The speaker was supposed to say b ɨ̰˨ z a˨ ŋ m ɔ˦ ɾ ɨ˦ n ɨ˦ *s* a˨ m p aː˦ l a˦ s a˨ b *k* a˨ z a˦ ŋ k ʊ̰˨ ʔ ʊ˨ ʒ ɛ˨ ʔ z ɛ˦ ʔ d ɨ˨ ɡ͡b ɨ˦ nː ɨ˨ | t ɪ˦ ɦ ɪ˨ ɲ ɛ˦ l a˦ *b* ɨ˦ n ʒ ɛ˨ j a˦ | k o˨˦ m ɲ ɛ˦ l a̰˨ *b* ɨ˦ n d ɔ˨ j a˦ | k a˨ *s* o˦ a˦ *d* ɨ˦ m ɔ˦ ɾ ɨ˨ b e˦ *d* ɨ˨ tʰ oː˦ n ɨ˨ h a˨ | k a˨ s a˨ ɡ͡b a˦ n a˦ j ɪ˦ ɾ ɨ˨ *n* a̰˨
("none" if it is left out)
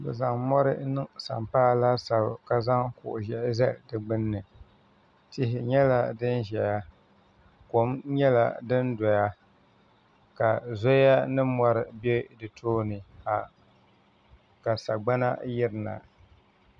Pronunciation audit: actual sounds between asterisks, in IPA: s, k, d, d, z, n, d, n

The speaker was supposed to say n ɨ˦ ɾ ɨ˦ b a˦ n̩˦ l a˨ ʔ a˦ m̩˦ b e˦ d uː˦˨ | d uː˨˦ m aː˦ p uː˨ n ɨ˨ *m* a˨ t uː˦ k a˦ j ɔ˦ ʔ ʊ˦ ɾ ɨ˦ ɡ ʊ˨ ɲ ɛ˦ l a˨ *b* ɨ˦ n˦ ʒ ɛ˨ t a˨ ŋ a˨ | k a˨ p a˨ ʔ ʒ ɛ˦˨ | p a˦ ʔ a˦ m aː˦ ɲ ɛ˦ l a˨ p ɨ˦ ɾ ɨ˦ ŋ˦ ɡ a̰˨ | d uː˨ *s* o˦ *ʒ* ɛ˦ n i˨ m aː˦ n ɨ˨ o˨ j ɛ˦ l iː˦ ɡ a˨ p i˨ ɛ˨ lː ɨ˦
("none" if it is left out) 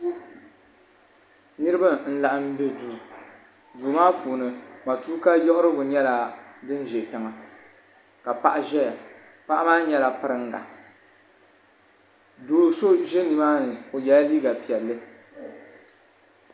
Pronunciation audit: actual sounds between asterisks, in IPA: m, d, s, ʒ

